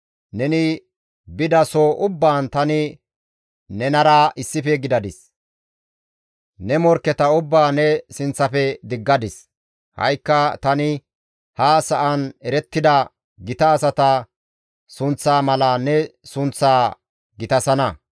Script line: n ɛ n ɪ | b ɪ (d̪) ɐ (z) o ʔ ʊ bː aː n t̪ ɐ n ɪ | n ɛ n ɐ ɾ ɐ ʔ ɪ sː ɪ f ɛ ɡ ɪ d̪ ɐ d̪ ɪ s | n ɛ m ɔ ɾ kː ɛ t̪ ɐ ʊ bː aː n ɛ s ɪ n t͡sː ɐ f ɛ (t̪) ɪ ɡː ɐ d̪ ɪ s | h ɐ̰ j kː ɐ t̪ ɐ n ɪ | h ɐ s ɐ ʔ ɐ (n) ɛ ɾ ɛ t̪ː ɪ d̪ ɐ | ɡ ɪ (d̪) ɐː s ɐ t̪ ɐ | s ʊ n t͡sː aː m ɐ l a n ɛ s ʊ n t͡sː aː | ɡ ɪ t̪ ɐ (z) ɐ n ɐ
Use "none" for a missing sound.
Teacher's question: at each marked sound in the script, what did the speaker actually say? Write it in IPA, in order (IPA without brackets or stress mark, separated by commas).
d̪, s, d̪, n, t̪, s